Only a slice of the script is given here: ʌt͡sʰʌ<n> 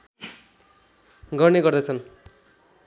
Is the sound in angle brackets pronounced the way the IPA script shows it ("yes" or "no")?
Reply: yes